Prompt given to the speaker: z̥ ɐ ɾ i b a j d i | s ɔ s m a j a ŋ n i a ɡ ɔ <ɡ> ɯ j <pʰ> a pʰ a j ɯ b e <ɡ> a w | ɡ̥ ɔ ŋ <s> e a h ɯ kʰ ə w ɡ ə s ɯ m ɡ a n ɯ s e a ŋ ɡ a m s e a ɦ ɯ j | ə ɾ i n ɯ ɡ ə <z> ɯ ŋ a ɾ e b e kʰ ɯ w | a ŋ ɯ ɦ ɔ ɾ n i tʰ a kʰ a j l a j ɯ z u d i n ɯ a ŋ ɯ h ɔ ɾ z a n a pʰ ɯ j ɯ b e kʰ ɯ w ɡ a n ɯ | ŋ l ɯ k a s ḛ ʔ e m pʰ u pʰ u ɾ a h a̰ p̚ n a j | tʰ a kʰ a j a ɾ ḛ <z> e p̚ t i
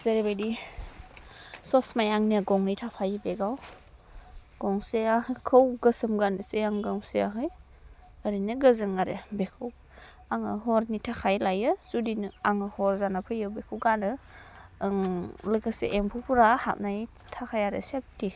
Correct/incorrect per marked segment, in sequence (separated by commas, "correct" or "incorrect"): incorrect, incorrect, correct, correct, correct, incorrect